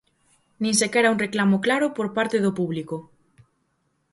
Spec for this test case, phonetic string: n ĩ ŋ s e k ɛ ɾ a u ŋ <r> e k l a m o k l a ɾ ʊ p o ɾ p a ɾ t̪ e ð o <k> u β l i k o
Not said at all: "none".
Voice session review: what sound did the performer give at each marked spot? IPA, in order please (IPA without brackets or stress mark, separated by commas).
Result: r, p